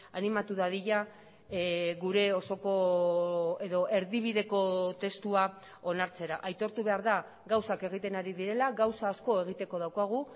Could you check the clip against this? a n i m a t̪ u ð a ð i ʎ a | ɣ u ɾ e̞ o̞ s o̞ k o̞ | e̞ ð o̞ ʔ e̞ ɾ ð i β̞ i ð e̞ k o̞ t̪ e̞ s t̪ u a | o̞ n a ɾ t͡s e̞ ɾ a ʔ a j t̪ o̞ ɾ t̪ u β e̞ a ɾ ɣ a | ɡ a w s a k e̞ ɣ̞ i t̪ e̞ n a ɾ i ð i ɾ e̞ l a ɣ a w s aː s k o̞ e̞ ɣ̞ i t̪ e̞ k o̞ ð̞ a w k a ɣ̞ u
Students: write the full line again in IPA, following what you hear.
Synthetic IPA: a n i m a t̪ u ð a ð i ʎ a | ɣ u ɾ e̞ o̞ s o̞ k o̞ | e̞ ð o̞ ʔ e̞ ɾ ð i β̞ i ð e̞ k o̞ t̪ e̞ s t̪ u a | o̞ n a ɾ t͡s e̞ ɾ a ʔ a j t̪ o̞ ɾ t̪ u β e̞ a ɾ ð a | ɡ a w s a k e̞ ɣ̞ i t̪ e̞ n a ɾ i ð i ɾ e̞ l a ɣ a w s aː s k o̞ e̞ ɣ̞ i t̪ e̞ k o̞ ð̞ a w k a ɣ̞ u